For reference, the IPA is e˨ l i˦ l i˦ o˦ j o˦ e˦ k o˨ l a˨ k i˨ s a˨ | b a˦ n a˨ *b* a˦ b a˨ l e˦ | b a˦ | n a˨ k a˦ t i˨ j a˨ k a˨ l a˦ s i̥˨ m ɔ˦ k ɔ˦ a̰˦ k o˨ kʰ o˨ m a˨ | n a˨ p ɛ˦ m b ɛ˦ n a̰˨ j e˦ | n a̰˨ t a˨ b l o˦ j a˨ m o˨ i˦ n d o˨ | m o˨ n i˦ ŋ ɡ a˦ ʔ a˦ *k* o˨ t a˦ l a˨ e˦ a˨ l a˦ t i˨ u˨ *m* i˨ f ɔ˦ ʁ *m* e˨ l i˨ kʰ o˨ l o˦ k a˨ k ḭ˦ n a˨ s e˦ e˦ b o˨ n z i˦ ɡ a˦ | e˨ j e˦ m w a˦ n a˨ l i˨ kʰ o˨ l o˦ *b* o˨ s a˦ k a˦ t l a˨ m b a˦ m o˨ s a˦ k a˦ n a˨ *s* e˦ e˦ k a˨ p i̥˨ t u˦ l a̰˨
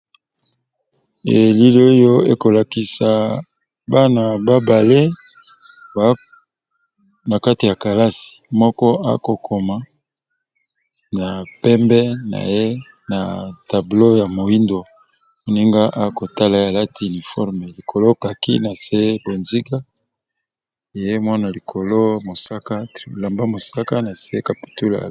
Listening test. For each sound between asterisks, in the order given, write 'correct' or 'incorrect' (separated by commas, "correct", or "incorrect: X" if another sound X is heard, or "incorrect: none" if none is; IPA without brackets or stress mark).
correct, correct, incorrect: n, correct, incorrect: m, correct